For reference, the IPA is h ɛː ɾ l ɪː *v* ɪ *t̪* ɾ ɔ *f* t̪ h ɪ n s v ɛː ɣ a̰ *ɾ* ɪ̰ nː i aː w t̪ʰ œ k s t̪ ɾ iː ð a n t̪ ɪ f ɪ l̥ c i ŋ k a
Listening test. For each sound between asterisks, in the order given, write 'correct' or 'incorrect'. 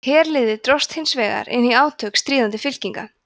incorrect, correct, incorrect, correct

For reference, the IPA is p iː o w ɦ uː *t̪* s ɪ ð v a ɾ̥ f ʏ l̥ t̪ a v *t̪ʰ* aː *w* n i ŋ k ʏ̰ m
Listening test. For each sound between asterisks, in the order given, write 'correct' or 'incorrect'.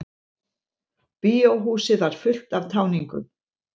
incorrect, correct, correct

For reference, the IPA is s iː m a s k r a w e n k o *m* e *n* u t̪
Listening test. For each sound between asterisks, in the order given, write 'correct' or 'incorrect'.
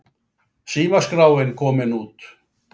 correct, correct

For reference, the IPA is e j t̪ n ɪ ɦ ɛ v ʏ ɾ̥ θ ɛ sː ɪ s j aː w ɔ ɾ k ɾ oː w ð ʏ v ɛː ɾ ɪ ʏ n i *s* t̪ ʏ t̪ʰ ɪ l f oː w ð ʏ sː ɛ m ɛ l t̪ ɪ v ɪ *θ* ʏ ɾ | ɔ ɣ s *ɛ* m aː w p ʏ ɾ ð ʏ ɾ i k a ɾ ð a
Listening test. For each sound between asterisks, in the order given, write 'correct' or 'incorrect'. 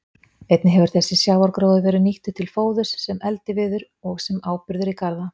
incorrect, incorrect, correct

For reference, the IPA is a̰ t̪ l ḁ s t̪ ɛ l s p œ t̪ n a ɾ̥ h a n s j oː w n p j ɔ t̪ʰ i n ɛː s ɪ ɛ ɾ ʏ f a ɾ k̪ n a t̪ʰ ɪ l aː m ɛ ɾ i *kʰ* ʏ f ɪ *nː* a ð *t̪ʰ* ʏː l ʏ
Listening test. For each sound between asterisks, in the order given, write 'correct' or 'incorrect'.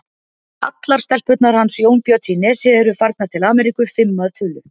incorrect, incorrect, correct

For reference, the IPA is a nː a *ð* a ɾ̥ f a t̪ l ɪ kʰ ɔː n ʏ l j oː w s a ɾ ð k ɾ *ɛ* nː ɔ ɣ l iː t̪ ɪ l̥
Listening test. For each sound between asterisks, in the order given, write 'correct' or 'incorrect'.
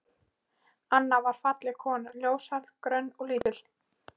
incorrect, incorrect

